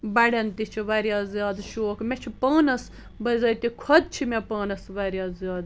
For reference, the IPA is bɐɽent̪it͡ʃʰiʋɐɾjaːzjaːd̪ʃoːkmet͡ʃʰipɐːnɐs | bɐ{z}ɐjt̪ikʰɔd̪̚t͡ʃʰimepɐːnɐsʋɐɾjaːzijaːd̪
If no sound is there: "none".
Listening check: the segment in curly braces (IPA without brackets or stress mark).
z